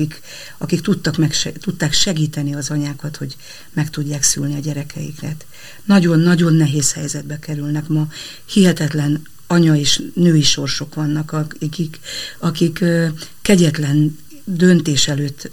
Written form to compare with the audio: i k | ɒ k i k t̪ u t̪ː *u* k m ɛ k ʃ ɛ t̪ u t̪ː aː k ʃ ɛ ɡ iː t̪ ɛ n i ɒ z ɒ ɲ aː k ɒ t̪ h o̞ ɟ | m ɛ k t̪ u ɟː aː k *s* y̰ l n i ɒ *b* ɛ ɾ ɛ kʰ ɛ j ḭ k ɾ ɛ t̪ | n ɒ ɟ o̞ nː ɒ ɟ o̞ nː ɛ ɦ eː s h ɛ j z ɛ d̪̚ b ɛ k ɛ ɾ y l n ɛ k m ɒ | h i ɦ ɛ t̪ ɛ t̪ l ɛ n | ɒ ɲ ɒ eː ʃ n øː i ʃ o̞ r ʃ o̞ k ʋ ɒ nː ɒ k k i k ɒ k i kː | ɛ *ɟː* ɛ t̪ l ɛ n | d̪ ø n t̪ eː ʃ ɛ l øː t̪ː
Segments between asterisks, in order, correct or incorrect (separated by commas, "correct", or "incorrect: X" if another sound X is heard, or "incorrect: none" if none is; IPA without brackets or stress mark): incorrect: ɒ, correct, incorrect: ɟ, incorrect: ɟ